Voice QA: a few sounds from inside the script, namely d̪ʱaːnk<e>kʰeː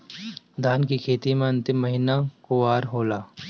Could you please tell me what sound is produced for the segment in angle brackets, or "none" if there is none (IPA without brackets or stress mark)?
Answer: i